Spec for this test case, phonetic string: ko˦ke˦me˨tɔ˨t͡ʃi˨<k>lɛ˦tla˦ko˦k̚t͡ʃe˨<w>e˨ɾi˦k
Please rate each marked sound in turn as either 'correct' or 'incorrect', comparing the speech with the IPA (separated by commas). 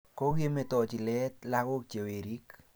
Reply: incorrect, correct